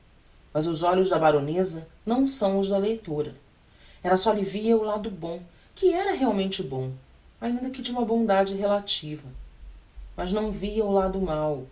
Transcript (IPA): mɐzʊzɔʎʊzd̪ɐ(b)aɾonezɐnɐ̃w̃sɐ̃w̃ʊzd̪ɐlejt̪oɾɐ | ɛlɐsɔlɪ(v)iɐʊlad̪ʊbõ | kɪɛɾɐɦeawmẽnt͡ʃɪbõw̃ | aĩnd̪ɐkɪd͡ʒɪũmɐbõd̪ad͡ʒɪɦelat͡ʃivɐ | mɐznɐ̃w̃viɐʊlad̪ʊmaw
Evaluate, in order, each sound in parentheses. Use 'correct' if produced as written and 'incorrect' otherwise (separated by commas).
correct, correct